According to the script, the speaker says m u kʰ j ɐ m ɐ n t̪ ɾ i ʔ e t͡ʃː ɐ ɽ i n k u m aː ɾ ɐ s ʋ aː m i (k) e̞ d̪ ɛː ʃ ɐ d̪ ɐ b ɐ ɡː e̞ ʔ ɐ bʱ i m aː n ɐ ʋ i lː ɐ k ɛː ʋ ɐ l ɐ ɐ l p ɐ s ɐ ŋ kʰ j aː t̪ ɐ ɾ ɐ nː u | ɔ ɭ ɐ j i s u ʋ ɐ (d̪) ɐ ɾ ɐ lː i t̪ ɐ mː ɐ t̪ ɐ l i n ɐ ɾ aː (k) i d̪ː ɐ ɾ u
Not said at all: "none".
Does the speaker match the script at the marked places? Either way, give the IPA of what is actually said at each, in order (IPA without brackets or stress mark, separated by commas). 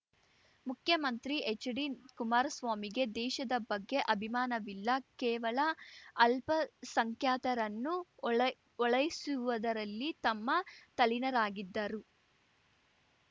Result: ɡ, d̪, ɡ